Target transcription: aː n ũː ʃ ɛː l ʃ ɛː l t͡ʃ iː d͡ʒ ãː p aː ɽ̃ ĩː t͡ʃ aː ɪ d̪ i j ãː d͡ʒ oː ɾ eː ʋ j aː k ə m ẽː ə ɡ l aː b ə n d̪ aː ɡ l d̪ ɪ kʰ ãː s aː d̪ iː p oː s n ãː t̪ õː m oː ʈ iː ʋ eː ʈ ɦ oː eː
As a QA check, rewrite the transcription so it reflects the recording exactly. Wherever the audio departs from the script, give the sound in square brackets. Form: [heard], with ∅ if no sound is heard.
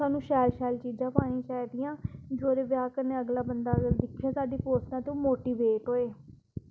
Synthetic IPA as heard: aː n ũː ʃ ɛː l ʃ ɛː l t͡ʃ iː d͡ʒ ãː p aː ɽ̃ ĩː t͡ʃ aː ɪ d̪ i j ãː d͡ʒ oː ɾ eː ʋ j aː k ə [n] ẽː ə ɡ l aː b ə n d̪ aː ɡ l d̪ ɪ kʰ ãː s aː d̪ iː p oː s n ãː t̪ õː m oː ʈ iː ʋ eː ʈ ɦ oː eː